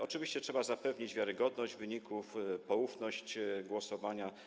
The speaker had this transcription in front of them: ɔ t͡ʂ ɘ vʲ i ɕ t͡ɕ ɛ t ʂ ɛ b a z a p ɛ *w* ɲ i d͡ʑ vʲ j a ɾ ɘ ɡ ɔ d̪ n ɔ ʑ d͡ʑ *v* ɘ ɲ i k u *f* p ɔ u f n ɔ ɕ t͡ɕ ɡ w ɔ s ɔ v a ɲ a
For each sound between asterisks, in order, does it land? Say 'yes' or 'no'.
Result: no, yes, yes

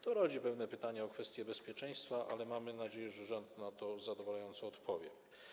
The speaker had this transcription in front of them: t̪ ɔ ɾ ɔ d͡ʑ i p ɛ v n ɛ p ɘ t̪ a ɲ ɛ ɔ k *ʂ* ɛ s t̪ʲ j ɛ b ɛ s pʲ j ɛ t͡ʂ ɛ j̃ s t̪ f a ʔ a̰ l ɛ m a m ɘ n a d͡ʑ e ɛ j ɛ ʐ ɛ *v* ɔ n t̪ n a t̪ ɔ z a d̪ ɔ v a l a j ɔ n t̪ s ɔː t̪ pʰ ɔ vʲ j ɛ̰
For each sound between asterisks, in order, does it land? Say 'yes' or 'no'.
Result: no, no

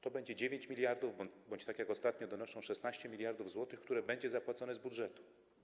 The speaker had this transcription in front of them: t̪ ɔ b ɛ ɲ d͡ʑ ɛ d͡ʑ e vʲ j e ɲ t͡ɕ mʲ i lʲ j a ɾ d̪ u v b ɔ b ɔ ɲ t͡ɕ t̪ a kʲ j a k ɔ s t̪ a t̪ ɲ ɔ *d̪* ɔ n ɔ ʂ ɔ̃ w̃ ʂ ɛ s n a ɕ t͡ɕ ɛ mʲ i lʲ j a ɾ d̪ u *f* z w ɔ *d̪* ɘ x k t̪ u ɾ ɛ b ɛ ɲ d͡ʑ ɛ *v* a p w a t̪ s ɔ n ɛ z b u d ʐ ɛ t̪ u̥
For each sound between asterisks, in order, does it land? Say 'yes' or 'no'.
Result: yes, no, no, no

